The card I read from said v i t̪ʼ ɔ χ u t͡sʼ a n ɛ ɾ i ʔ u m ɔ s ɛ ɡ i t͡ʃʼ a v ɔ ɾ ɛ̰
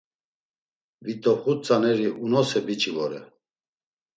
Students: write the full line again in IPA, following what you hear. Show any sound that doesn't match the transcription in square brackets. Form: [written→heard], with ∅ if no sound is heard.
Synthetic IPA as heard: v i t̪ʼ ɔ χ u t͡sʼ a n ɛ ɾ i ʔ u [m→n] ɔ s ɛ [ɡ→b] i t͡ʃʼ [a→i] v ɔ ɾ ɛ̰